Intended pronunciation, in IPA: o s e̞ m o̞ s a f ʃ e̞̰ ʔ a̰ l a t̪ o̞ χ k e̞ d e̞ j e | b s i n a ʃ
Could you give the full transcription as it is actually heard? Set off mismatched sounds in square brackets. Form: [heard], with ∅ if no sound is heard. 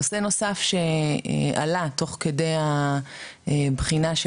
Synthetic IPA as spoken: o s e̞ [n] o̞ s a f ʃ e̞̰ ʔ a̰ l a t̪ o̞ χ k e̞ d e̞ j [a] | b [χ] i n a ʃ